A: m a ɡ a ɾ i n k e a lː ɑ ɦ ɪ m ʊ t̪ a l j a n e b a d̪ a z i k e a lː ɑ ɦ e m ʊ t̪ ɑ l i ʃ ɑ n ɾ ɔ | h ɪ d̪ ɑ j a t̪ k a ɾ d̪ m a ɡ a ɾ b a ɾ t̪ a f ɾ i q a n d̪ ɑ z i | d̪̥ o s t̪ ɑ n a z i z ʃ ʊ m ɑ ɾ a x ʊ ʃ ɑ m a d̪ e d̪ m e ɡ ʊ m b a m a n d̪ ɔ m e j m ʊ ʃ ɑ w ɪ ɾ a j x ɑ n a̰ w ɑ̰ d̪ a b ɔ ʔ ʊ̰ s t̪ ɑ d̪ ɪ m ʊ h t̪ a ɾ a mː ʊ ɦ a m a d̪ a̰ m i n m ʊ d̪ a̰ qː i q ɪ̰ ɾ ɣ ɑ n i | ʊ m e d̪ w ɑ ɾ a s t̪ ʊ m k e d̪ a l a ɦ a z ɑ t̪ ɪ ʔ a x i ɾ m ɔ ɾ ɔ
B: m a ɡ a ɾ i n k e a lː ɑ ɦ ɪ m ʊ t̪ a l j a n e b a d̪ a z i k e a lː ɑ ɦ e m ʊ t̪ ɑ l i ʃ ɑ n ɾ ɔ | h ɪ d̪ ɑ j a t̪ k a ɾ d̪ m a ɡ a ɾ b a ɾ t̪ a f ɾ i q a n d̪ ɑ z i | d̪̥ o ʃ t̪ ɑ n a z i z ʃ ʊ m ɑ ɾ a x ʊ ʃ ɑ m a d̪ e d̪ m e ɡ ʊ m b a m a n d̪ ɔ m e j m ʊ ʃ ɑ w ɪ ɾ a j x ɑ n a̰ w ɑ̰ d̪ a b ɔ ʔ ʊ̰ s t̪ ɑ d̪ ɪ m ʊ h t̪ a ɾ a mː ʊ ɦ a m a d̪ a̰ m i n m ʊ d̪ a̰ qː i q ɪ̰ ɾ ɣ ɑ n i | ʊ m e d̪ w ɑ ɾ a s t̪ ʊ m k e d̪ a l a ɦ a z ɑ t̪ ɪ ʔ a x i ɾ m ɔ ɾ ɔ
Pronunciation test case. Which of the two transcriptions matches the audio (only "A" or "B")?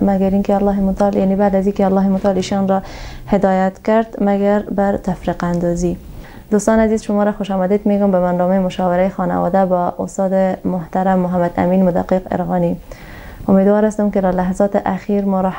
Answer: A